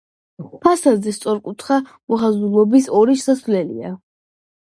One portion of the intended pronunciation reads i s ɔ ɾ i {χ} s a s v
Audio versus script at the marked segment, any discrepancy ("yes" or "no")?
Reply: yes